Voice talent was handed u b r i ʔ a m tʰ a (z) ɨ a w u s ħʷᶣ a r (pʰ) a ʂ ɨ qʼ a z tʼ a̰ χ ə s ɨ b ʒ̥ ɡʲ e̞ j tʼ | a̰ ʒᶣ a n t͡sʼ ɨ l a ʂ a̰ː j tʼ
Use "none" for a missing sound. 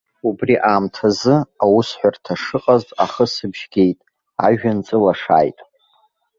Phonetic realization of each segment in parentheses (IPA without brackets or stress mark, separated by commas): z, tʰ